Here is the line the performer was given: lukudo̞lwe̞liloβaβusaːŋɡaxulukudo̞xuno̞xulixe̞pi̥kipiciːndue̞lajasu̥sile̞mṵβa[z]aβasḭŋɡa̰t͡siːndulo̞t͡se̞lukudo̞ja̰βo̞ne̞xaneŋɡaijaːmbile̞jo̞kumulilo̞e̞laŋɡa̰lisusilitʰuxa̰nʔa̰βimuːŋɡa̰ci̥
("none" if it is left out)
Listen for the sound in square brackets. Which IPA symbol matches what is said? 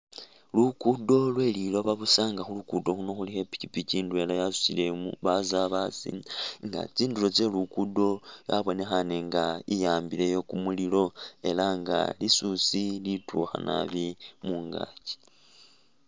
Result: z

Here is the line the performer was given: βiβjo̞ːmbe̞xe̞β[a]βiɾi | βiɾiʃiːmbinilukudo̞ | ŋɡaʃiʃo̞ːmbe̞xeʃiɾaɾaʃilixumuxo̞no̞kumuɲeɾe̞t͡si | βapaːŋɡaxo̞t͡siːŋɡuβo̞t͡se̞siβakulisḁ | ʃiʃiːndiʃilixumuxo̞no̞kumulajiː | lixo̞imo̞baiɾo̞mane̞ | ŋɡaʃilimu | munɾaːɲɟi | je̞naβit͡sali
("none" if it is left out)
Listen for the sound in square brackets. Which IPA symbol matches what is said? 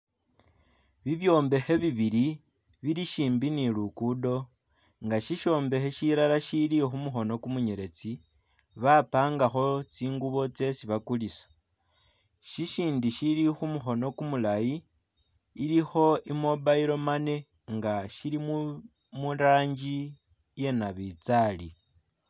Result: i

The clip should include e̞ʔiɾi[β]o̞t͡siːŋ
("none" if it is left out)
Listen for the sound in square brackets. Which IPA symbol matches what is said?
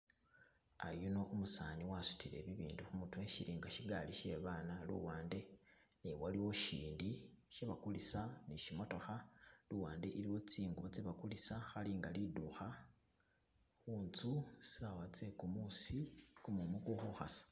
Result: w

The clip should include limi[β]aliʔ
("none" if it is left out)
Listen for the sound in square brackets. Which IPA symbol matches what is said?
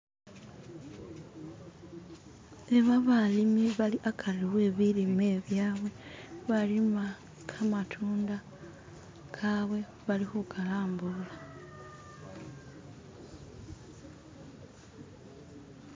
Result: β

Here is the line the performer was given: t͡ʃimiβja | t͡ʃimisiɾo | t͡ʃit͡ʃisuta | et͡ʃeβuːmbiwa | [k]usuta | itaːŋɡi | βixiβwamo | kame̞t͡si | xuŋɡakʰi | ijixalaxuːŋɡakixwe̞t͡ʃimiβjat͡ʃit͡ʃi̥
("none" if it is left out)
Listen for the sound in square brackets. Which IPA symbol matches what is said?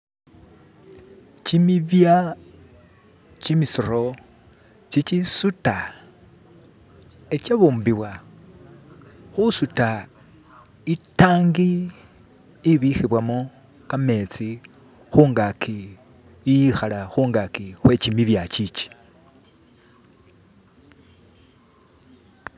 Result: x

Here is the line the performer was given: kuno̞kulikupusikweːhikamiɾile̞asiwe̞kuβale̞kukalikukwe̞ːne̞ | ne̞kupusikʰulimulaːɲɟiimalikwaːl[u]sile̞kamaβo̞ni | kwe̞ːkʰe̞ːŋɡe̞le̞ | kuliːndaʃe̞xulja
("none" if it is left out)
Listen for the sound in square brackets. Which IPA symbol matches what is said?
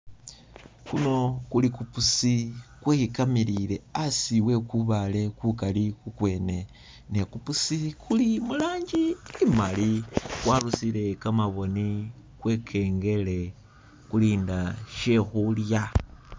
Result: u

